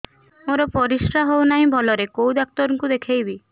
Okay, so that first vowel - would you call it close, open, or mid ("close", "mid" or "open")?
mid